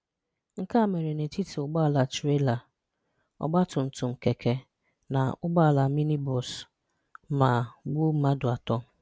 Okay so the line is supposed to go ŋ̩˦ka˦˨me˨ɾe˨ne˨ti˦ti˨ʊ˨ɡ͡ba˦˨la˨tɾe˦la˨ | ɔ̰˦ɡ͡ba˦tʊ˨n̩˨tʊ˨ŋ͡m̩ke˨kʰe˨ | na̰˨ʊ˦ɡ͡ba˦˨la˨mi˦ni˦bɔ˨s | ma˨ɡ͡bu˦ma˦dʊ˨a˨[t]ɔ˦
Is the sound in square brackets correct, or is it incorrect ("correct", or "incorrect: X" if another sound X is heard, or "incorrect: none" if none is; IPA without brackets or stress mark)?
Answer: correct